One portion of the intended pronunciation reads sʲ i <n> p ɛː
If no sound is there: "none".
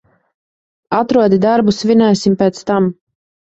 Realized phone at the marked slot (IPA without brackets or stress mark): m